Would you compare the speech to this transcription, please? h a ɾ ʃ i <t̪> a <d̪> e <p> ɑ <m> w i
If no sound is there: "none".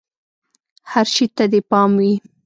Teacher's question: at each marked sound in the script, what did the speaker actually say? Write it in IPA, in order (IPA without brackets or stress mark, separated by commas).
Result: t̪, d̪, p, m